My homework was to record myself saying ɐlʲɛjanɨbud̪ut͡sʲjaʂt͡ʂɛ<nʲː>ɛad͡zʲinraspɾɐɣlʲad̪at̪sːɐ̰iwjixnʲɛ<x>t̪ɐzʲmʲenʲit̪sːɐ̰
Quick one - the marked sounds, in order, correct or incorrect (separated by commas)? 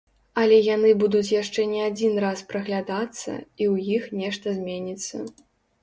incorrect, incorrect